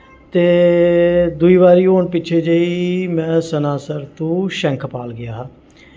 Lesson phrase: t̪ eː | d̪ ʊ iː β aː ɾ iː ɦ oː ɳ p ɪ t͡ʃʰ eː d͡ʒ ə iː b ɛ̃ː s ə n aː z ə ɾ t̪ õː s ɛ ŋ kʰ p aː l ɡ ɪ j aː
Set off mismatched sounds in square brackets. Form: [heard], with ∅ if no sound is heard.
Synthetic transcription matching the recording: t̪ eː | d̪ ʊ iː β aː ɾ iː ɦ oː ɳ p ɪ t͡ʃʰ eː d͡ʒ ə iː [m] ɛ̃ː s ə n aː [s] ə ɾ t̪ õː [ʃ] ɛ ŋ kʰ p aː l ɡ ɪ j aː